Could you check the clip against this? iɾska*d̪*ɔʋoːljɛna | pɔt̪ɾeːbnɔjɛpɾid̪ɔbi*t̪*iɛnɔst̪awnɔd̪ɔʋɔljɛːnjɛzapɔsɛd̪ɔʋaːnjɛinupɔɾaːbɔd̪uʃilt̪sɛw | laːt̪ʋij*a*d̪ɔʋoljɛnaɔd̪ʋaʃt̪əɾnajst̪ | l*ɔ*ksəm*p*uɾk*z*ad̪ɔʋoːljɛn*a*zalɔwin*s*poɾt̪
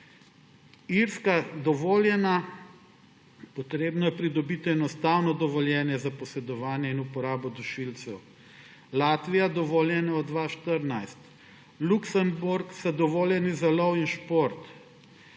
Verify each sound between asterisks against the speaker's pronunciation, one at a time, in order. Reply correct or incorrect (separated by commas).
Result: correct, correct, correct, incorrect, incorrect, incorrect, incorrect, incorrect